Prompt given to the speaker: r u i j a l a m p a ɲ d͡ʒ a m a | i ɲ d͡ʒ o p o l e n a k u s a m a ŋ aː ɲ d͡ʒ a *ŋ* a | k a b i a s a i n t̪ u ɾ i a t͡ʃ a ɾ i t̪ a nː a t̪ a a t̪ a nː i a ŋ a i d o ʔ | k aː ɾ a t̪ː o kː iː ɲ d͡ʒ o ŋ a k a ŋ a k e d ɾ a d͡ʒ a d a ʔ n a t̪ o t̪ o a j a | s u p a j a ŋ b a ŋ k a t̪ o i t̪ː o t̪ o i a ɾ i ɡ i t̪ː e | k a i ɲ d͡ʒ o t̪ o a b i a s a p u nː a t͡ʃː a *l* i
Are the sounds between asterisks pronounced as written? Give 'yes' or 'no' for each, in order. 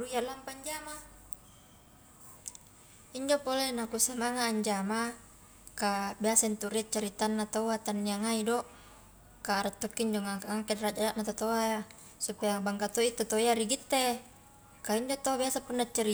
no, no

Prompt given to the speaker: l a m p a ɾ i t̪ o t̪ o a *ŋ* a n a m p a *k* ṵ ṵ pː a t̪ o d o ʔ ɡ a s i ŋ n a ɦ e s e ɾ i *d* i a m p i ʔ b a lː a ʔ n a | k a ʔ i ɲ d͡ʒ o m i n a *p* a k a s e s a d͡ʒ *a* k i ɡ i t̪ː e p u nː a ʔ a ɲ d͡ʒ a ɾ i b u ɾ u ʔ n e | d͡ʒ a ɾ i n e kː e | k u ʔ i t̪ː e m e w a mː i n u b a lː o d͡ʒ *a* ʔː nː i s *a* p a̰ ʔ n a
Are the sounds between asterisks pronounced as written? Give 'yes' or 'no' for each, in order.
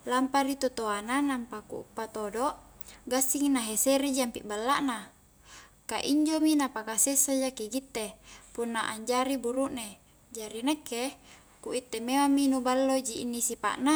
no, yes, no, yes, yes, no, no

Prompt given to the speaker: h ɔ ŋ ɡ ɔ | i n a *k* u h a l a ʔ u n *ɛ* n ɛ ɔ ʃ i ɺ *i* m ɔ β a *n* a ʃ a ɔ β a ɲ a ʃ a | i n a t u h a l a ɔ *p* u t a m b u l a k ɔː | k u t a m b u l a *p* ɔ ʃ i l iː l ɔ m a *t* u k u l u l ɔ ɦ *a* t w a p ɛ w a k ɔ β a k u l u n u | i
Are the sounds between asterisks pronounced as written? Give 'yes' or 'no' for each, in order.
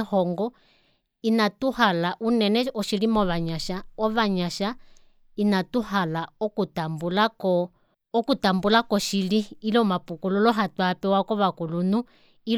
no, yes, yes, no, no, no, no, yes

